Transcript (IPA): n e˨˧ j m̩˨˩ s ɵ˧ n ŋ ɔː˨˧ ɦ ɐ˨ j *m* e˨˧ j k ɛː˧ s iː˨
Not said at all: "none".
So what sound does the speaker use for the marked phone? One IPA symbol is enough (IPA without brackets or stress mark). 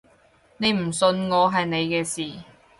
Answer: n